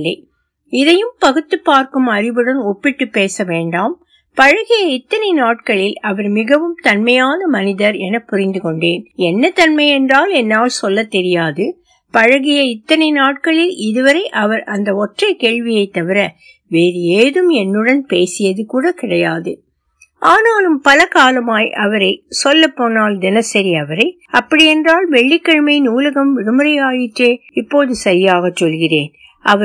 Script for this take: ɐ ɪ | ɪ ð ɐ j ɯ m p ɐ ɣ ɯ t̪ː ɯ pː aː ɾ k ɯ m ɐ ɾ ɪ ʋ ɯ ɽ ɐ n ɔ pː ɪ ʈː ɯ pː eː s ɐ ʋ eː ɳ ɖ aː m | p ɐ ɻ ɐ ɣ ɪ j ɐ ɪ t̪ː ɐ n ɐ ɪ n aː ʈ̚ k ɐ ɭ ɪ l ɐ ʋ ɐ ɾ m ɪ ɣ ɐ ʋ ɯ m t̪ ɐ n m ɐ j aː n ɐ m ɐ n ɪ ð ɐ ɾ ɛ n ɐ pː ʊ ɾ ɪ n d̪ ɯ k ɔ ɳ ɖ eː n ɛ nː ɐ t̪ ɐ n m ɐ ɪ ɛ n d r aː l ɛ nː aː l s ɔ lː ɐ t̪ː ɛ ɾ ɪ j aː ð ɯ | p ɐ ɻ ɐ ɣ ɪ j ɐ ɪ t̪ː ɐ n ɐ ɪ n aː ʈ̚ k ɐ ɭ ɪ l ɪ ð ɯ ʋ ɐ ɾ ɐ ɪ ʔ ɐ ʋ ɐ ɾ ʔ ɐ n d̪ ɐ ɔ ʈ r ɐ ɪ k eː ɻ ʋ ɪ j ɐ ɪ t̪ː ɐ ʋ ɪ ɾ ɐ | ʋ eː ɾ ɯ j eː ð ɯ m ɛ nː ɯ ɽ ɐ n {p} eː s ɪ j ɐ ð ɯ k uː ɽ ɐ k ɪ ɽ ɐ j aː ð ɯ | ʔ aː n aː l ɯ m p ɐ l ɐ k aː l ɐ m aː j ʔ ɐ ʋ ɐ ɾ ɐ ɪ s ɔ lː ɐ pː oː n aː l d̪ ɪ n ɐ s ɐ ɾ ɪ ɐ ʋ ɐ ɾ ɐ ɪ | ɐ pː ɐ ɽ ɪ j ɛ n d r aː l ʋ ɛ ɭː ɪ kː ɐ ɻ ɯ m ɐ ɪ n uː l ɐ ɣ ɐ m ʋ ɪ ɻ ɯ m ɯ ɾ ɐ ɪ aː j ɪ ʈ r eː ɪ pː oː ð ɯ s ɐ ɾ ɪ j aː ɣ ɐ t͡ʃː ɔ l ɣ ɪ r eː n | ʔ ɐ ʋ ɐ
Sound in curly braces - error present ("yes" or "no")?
no